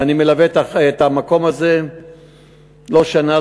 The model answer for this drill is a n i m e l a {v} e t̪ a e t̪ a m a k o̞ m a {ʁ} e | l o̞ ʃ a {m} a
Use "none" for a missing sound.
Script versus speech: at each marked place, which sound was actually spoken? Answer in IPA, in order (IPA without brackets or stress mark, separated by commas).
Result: v, z, n